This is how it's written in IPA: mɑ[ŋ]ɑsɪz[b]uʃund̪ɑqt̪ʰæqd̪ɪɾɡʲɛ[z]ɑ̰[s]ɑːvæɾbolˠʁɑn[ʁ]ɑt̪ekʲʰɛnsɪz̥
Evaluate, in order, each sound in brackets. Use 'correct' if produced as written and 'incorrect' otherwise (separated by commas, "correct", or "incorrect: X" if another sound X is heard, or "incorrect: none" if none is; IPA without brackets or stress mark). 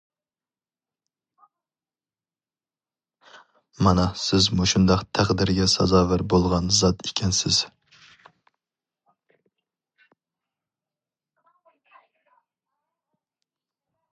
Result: incorrect: n, incorrect: m, incorrect: s, incorrect: z, incorrect: z